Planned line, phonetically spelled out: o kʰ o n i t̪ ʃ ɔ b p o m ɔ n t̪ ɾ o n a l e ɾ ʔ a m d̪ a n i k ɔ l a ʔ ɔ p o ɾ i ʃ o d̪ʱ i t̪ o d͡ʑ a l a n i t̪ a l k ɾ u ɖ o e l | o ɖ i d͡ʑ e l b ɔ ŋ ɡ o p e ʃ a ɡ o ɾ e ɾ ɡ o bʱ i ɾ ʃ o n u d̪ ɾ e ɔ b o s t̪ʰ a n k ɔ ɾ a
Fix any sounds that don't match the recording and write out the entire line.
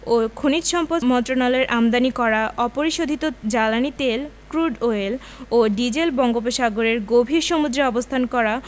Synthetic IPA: o kʰ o n i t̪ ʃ ɔ m p o m ɔ n t̪ ɾ o n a l e ɾ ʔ a m d̪ a n i k ɔ ɾ a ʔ ɔ p o ɾ i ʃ o d̪ʱ i t̪ o d͡ʑ a l a n i t̪ e l k ɾ u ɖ o e l | o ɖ i d͡ʑ e l b ɔ ŋ ɡ o p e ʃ a ɡ o ɾ e ɾ ɡ o bʱ i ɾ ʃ o m u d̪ ɾ e ɔ b o s t̪ʰ a n k ɔ ɾ a